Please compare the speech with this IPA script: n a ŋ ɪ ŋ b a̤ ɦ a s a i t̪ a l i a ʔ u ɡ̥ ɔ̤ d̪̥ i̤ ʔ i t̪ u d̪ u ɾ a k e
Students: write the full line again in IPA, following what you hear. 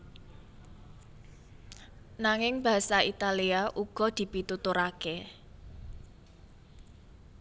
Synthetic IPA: n a ŋ ɪ ŋ b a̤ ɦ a s a i t̪ a l i a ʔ u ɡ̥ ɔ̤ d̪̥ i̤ p i t̪ u t̪ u ɾ a k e